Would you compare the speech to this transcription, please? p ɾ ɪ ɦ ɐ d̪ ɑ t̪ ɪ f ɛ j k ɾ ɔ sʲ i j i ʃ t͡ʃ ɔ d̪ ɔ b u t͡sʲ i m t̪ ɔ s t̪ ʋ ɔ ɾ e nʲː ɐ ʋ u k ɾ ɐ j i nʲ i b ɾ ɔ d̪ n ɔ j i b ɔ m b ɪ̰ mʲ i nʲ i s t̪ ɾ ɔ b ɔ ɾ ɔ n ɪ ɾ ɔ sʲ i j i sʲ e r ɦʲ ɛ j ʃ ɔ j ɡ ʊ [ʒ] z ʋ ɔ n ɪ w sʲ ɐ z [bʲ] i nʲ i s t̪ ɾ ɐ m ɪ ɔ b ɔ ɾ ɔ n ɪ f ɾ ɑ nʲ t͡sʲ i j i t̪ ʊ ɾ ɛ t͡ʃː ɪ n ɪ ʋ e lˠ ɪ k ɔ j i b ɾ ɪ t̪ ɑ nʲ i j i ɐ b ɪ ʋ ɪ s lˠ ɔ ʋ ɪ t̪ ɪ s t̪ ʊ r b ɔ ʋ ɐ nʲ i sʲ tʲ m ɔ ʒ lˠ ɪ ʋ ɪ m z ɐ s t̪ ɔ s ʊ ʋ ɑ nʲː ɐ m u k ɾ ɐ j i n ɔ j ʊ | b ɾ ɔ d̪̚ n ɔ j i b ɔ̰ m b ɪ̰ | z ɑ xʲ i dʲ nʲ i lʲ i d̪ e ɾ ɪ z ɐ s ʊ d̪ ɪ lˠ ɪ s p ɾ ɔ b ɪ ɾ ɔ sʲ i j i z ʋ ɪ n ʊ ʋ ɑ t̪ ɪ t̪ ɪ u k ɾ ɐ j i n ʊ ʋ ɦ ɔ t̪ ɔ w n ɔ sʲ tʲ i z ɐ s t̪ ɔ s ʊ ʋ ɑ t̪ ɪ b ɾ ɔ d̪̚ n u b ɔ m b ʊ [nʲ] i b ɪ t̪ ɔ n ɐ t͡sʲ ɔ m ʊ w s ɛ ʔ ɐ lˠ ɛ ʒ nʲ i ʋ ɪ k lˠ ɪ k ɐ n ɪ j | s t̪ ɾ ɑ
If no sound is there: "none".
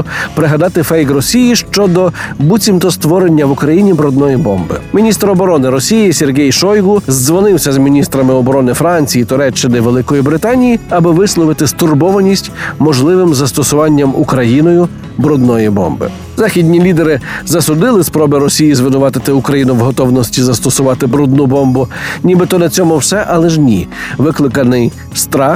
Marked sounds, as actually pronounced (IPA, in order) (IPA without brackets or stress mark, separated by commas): z, mʲ, nʲ